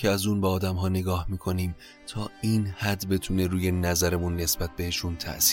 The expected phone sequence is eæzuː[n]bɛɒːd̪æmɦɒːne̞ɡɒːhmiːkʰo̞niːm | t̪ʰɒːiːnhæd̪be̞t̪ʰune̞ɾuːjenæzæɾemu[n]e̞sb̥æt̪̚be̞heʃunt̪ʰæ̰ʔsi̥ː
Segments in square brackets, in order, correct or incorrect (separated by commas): correct, incorrect